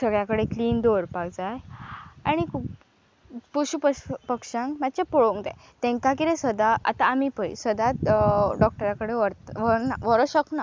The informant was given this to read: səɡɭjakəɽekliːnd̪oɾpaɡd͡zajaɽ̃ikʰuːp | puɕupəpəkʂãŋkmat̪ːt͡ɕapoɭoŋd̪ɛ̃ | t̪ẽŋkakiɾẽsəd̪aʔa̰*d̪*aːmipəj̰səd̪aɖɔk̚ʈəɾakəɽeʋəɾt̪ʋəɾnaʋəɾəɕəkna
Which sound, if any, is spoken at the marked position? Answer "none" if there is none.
t̪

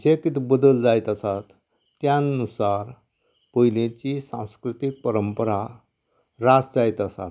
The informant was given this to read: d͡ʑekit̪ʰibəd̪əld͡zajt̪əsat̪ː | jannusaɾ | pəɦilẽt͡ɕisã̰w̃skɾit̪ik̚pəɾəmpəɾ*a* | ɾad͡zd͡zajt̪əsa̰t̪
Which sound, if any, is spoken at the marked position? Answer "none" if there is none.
a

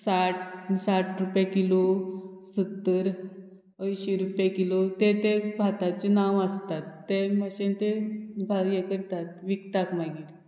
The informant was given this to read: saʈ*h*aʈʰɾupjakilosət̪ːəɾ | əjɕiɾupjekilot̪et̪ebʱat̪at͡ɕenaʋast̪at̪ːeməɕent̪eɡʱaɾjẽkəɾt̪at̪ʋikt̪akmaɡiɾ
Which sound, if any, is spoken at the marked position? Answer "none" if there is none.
s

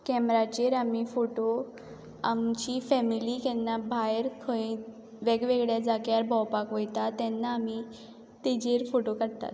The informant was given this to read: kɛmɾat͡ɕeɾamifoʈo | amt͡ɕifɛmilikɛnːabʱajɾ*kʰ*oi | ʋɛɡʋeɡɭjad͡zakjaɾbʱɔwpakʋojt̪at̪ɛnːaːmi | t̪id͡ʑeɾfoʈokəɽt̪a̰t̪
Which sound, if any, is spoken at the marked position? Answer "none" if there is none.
kʰ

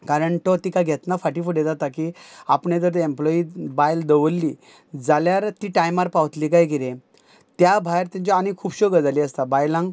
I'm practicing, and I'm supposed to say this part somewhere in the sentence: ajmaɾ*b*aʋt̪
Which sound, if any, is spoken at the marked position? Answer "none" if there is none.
p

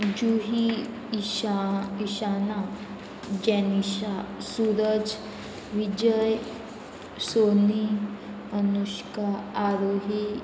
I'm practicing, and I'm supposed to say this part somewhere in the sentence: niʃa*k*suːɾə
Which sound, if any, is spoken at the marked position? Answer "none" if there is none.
none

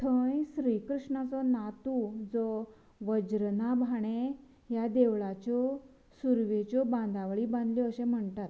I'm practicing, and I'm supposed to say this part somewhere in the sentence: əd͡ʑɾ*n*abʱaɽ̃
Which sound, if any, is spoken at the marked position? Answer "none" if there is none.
n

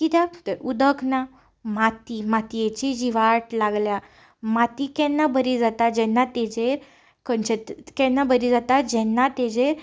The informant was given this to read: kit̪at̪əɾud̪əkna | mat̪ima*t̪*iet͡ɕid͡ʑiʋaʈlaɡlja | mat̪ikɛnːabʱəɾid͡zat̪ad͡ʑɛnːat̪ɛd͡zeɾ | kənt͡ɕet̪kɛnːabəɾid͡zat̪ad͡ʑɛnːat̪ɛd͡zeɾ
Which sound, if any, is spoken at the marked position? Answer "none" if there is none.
t̪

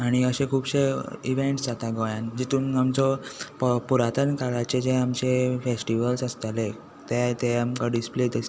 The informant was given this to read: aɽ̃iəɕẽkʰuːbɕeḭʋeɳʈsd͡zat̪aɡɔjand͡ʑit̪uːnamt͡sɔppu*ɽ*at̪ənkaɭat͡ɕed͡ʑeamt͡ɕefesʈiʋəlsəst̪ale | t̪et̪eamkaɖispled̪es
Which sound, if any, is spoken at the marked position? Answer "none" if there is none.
ɾ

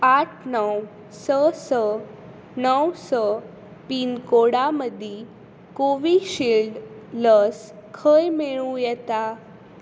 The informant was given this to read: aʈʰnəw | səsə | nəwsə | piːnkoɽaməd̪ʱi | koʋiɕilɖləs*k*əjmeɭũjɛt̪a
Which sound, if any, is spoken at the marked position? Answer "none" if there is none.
kʰ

